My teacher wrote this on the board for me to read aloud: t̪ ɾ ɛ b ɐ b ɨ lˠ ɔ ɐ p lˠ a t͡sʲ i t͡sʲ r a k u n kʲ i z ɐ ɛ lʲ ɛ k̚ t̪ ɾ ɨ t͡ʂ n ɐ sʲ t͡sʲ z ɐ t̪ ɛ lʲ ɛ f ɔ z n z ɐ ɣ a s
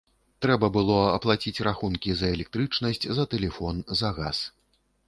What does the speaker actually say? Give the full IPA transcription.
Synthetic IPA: t̪ ɾ ɛ b ɐ b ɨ lˠ ɔ ɐ p lˠ a t͡sʲ i t͡sʲ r a x u n kʲ i z ɐ ɛ lʲ ɛ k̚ t̪ ɾ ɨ t͡ʂ n ɐ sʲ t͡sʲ z ɐ t̪ ɛ lʲ ɛ f ɔ n z ɐ ɣ a s